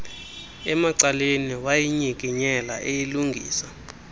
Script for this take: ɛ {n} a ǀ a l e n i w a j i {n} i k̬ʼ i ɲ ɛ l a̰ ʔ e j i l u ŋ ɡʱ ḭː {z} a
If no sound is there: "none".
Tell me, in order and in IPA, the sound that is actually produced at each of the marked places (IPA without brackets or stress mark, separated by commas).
m, ɲ, s